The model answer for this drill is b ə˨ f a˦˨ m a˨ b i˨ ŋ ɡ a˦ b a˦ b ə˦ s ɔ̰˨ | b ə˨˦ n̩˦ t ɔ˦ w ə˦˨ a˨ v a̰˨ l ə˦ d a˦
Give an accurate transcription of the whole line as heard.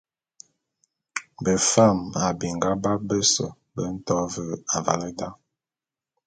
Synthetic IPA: b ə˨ f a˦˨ m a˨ b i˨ ŋ ɡ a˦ b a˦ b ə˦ s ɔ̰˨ | b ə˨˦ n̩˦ t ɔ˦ v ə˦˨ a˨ v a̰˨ l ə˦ d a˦